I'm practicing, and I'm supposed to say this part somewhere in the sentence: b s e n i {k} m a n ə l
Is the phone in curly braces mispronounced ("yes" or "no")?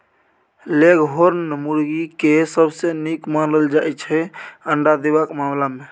no